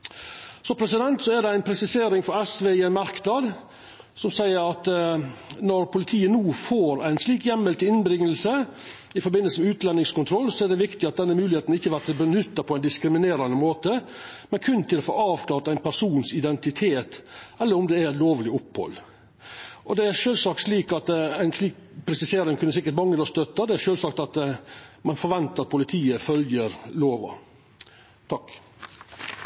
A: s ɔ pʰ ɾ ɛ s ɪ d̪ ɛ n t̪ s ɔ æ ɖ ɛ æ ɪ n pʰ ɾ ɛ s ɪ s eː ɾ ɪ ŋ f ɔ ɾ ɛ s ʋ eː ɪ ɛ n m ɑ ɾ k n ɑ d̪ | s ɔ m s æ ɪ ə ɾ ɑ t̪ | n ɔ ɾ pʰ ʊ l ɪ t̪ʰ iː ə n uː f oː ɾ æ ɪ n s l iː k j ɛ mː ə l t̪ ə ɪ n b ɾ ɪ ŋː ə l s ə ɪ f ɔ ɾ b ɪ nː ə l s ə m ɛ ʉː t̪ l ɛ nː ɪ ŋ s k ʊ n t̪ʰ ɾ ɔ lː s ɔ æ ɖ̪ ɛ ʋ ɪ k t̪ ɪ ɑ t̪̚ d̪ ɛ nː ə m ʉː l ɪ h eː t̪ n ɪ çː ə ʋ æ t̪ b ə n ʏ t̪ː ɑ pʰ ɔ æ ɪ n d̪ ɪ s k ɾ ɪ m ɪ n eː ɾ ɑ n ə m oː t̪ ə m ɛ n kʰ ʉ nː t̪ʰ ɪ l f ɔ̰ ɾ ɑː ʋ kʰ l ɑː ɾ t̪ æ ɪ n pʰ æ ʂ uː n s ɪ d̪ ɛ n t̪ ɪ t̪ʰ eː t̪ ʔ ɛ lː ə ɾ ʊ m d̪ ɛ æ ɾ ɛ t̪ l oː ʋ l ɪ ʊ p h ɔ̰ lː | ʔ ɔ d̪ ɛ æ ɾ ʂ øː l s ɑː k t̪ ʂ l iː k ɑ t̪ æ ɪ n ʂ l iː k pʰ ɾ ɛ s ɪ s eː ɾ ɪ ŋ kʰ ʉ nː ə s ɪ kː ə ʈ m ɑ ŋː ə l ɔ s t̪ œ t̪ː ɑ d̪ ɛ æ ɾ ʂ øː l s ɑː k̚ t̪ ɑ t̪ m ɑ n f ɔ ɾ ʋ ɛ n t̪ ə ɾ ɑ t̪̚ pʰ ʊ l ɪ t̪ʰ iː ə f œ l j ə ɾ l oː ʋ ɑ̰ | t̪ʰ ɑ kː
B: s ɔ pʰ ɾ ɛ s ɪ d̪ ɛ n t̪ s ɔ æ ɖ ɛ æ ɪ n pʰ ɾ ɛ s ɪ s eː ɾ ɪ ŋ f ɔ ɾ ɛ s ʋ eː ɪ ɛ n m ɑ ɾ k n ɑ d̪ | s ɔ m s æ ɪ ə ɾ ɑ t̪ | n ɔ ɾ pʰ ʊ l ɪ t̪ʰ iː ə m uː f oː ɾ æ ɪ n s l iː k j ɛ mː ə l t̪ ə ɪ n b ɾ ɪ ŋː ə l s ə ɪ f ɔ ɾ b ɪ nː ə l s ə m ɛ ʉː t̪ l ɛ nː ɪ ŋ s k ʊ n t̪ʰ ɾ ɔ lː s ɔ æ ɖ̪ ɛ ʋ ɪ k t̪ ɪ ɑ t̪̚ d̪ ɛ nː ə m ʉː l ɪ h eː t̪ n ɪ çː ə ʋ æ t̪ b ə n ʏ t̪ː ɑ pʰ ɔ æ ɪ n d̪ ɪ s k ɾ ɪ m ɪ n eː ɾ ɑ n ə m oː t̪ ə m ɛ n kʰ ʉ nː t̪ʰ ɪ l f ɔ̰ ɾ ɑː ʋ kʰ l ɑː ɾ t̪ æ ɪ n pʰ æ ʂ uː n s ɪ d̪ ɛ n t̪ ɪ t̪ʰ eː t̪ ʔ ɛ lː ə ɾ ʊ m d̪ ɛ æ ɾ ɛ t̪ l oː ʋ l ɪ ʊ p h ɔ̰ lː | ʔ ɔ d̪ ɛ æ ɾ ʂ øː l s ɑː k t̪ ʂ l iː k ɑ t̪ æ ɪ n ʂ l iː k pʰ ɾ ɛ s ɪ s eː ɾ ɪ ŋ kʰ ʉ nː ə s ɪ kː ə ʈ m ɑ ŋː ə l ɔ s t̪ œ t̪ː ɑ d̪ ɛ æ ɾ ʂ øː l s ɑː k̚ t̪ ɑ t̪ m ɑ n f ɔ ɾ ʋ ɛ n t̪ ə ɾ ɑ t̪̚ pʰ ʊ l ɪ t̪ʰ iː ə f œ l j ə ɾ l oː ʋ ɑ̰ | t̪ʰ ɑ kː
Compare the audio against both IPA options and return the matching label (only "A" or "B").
A